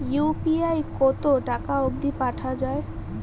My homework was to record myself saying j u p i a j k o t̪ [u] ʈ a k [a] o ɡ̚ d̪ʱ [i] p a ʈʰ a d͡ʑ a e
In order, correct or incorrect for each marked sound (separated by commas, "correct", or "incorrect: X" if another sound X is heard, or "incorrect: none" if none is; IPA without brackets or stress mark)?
incorrect: o, correct, correct